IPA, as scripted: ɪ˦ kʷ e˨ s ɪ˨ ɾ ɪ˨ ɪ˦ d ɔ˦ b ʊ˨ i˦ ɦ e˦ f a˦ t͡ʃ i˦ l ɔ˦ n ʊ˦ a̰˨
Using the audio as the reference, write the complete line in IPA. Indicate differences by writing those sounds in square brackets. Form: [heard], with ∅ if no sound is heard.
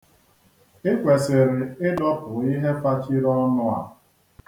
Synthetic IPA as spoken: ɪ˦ kʷ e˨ s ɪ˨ ɾ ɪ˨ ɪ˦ d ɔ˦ [p] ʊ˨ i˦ ɦ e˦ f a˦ t͡ʃ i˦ [ɾ] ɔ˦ n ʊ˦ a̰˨